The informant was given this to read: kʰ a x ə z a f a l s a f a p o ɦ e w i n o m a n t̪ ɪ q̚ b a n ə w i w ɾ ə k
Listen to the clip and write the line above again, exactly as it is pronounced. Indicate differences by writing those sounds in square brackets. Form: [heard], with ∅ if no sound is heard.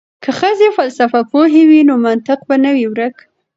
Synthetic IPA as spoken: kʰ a x ə z [e] f a l s a f a p o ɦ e w i n o m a n t̪ ɪ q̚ b a n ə w i w ɾ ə k